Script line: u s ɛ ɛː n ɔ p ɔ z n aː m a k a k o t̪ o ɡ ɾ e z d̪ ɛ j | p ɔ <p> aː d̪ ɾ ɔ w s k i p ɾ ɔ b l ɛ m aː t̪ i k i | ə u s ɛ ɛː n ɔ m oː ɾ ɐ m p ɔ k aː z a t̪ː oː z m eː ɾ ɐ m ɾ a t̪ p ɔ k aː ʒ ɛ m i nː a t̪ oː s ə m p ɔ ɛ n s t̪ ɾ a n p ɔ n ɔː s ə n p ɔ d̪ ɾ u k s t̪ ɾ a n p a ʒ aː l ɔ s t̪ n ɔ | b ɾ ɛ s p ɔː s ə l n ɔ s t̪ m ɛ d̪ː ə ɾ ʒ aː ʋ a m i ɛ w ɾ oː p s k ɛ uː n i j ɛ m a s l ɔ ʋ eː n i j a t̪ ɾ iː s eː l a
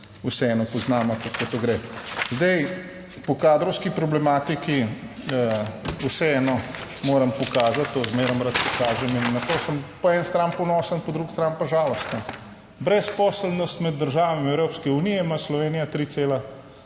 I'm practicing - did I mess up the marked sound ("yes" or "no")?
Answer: yes